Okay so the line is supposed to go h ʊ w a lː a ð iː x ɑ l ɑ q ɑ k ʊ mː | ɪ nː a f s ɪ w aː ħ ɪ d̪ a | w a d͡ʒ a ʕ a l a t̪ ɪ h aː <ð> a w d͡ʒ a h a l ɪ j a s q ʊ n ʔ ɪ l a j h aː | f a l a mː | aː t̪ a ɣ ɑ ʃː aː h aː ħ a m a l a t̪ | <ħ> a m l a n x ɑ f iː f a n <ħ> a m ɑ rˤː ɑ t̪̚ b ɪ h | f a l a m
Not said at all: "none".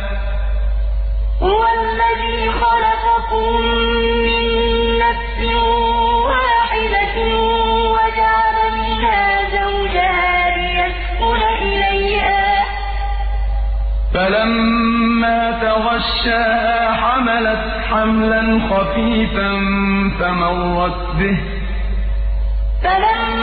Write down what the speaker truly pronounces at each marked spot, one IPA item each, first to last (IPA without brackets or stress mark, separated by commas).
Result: z, ħ, f